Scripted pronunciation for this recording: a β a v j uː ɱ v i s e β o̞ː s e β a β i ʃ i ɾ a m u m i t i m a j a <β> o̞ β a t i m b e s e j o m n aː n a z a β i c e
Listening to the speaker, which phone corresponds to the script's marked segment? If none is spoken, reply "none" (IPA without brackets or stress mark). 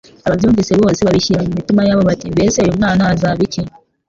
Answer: β